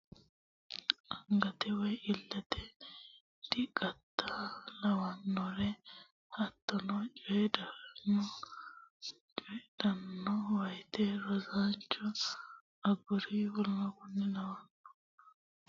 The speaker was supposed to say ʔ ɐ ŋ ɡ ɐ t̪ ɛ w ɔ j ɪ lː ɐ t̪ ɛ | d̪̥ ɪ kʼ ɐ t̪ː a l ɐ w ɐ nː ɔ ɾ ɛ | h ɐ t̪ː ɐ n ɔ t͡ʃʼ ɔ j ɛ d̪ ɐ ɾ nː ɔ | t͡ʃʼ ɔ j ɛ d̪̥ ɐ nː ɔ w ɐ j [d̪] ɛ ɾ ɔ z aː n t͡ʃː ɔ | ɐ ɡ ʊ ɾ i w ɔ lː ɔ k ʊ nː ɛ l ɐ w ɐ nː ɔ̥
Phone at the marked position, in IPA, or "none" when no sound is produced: t̪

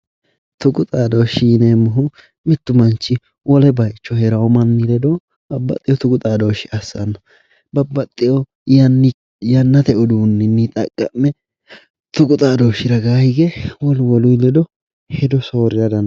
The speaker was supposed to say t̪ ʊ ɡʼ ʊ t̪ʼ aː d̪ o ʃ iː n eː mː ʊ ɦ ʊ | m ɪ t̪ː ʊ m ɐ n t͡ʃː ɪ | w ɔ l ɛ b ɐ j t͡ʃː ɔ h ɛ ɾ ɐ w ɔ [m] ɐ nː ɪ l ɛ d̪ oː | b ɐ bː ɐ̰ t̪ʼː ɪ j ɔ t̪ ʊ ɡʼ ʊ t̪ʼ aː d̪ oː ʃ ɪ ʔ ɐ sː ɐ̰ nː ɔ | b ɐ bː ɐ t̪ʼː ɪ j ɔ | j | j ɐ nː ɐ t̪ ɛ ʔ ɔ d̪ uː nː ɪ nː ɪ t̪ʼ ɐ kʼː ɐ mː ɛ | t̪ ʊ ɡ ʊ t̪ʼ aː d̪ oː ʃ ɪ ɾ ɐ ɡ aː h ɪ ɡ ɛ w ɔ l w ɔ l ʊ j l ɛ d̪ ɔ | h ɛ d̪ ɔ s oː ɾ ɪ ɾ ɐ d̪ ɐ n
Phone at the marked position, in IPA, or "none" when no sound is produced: m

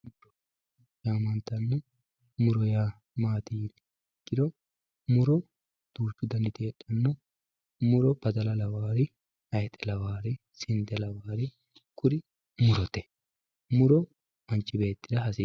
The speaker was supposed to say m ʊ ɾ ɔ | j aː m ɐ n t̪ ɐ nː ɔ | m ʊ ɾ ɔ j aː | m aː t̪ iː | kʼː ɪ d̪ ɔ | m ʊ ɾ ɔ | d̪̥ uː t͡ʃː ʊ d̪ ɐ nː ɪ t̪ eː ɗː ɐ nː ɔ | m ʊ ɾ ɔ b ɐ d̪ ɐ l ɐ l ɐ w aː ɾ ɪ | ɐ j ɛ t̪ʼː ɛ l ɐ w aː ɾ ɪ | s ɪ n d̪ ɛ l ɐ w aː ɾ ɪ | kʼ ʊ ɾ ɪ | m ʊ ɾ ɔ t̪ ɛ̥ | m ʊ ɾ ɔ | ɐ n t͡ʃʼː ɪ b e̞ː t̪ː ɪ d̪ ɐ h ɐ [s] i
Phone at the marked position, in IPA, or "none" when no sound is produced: s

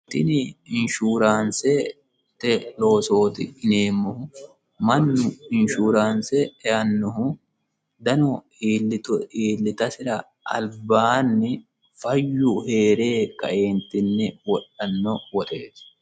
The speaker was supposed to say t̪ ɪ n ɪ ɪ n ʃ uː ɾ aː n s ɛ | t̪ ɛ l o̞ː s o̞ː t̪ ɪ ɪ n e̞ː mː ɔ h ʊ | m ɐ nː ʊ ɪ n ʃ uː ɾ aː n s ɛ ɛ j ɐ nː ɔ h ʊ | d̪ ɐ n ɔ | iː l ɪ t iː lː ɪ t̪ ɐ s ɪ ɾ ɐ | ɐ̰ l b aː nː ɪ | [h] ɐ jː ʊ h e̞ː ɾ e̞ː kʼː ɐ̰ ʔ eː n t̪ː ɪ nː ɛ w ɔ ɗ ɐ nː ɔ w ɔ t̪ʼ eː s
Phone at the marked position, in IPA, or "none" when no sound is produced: f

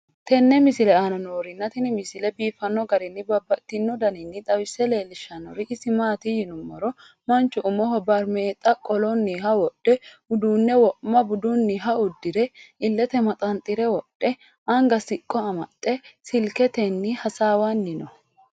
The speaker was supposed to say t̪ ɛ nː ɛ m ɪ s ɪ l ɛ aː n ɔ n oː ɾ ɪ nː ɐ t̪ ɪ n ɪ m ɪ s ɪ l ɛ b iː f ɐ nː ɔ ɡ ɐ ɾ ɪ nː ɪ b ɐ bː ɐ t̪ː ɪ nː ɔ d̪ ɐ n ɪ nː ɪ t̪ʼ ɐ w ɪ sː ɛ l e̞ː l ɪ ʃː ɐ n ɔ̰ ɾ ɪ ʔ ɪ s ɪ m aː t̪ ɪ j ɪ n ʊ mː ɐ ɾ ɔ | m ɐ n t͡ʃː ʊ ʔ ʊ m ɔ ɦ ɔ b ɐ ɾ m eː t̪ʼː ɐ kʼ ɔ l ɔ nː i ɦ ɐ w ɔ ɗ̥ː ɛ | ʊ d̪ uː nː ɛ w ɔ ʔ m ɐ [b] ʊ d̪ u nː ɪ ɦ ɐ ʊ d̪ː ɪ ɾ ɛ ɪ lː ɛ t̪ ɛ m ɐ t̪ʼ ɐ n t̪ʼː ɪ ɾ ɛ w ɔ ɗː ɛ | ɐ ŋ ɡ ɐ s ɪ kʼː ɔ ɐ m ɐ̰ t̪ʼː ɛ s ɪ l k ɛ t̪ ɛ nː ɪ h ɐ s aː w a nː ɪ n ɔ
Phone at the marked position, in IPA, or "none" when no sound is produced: b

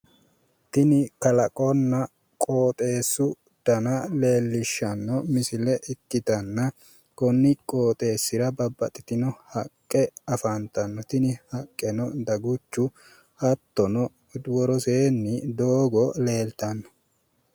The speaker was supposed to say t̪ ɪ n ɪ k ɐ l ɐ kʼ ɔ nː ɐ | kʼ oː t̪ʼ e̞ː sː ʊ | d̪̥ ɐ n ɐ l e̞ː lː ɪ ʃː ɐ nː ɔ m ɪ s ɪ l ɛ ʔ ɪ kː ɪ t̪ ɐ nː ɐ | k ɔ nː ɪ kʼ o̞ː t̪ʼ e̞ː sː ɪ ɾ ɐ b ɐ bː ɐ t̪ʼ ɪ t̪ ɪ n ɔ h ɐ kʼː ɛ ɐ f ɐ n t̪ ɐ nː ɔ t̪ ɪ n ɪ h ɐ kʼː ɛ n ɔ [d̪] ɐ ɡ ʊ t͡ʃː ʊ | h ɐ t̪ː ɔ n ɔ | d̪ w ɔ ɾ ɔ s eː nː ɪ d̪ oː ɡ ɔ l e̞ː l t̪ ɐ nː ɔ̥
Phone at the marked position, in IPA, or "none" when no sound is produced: d̪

